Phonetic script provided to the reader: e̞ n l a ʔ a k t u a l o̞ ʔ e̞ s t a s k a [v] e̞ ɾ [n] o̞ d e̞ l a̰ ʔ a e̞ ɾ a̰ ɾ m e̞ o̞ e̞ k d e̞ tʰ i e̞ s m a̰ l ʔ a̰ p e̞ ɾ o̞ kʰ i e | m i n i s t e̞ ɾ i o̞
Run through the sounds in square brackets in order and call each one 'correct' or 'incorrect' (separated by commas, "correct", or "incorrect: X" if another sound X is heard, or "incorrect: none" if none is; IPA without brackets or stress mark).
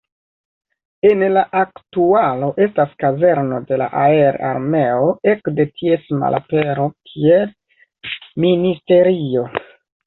incorrect: z, correct